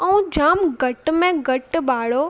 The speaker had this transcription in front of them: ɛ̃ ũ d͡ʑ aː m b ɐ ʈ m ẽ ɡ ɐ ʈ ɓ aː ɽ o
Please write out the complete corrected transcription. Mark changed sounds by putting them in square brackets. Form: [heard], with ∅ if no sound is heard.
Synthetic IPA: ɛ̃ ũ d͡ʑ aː m [ɡ] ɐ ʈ m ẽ ɡ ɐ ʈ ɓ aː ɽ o